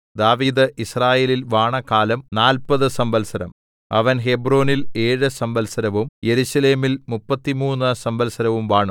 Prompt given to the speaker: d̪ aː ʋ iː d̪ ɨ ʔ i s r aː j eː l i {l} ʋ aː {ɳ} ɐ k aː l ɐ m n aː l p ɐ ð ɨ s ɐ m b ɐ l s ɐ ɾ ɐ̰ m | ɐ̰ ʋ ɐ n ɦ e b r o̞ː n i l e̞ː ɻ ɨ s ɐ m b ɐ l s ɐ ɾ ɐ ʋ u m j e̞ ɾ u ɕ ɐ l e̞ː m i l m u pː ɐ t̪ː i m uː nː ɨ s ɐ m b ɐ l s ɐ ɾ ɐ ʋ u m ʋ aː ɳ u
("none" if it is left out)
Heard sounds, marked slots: l, ɳ

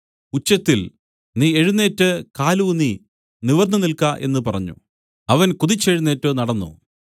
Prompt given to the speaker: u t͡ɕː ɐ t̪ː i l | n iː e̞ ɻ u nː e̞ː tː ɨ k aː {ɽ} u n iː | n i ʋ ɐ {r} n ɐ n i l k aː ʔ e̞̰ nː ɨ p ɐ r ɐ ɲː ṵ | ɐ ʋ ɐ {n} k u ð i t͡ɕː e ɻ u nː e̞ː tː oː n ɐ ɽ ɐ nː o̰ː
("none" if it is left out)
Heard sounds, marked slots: l, r, n

